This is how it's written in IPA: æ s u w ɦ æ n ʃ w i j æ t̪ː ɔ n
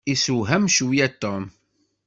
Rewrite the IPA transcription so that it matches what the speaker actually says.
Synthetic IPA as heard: i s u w ɦ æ m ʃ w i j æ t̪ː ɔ m